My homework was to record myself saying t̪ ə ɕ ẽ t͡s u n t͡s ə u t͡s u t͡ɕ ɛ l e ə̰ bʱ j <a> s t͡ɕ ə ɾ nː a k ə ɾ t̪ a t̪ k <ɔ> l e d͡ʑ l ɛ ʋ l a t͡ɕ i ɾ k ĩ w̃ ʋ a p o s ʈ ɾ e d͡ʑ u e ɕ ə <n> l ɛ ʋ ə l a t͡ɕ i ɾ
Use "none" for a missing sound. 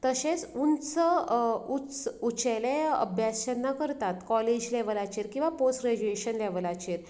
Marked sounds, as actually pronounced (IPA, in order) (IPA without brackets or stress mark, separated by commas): a, ɔ, n